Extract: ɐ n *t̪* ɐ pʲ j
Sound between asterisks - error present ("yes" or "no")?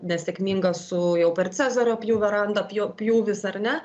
yes